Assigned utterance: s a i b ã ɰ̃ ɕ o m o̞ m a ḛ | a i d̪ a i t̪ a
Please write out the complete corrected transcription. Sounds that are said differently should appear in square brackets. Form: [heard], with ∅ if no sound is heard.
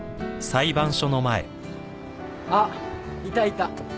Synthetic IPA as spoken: s a i b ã ɰ̃ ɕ o [n] o̞ m a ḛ | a i [t̪] a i t̪ a